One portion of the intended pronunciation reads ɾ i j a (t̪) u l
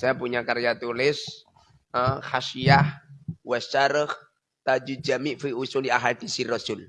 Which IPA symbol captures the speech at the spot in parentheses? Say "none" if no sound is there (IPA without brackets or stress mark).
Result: t̪